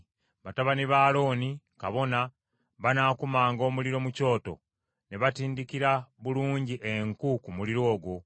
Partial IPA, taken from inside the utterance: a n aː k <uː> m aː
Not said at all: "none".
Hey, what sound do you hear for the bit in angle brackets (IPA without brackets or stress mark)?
u